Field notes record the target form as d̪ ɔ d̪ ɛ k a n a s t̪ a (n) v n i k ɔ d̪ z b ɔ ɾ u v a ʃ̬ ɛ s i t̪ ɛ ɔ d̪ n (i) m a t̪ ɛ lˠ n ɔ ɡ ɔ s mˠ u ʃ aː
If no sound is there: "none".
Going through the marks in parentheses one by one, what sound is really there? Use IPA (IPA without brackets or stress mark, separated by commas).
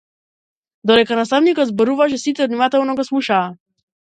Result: none, i